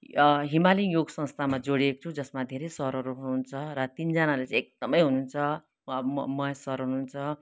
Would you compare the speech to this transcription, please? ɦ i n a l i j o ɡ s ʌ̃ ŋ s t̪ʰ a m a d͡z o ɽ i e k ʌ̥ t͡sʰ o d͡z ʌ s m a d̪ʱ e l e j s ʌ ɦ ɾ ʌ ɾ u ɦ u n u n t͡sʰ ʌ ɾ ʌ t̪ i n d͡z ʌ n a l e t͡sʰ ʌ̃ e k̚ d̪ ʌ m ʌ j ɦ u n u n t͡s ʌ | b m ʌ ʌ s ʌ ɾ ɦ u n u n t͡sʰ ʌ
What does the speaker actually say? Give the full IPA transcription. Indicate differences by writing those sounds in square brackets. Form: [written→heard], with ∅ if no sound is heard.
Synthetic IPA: ɦ i [n→m] a l i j o ɡ s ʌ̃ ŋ s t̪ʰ a m a d͡z o ɽ i e k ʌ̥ t͡sʰ [o→u] d͡z ʌ s m a d̪ʱ e [l→ɾ] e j s ʌ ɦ ɾ ʌ ɾ u ɦ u n u n t͡sʰ ʌ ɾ ʌ t̪ i n d͡z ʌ n a l e [t͡sʰ→t͡s] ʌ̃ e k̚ d̪ ʌ m ʌ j ɦ u n u n [t͡s→t͡sʰ] ʌ | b m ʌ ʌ s ʌ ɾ ɦ u n u n t͡sʰ ʌ